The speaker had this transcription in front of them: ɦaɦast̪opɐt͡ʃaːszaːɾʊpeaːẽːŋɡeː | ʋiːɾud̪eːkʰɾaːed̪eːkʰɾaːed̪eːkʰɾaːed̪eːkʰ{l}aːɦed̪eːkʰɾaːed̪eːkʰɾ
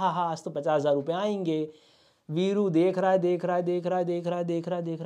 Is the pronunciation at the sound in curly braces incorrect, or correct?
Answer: incorrect